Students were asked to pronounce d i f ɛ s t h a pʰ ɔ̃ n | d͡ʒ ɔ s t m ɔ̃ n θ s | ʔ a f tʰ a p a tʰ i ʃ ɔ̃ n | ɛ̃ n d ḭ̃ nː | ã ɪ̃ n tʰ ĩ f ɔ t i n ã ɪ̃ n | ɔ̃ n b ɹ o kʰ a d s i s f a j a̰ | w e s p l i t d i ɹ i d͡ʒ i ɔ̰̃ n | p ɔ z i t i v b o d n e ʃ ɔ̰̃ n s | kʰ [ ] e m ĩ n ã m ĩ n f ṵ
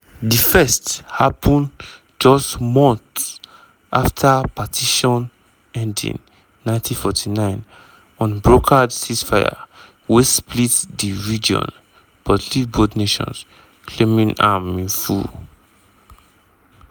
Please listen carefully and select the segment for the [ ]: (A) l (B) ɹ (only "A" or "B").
A